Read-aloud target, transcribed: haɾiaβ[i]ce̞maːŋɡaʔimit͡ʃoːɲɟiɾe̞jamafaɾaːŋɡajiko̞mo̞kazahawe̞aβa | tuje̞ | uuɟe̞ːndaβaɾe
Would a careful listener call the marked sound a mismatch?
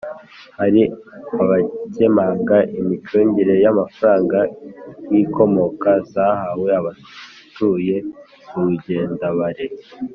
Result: yes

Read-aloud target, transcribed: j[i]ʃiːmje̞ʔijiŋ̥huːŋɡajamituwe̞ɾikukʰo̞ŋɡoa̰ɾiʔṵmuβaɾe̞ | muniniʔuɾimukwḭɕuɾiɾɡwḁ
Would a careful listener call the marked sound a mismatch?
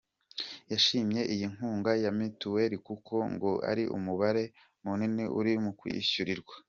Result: yes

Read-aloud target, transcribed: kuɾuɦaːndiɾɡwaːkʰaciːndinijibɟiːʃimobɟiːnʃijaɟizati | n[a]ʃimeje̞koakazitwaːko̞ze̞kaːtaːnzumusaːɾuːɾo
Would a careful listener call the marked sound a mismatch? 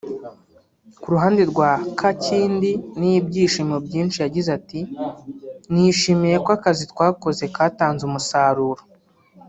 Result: yes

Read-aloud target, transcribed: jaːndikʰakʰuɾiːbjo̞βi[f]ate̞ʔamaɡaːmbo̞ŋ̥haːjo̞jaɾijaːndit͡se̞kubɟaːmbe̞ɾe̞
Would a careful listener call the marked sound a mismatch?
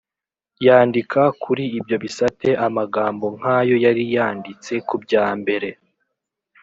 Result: yes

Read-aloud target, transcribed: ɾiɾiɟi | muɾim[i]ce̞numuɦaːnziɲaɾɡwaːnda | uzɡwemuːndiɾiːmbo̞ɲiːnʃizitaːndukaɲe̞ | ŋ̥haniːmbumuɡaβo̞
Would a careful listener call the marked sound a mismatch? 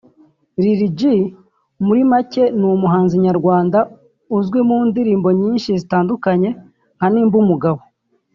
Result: yes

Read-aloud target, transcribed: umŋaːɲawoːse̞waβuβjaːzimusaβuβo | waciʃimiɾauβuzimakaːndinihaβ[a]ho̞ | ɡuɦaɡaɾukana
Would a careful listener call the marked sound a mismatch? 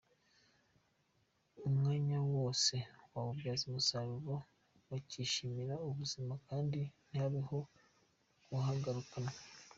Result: yes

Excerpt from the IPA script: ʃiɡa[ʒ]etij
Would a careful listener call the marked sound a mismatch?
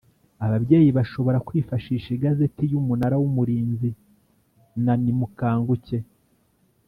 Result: yes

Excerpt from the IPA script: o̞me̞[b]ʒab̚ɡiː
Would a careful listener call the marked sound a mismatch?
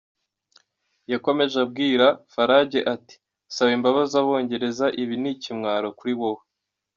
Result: yes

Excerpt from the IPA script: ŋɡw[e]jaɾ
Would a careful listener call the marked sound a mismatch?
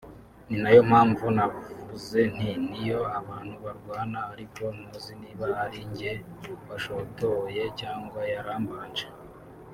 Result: yes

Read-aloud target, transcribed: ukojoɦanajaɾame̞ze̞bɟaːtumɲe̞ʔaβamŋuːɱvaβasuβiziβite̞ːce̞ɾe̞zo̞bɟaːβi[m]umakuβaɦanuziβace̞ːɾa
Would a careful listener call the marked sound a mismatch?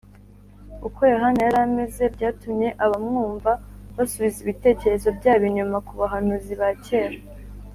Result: yes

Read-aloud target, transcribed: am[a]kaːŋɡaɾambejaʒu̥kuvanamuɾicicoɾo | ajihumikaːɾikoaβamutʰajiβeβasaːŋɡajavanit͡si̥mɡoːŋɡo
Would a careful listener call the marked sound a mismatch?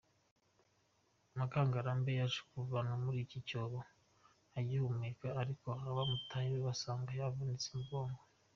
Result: no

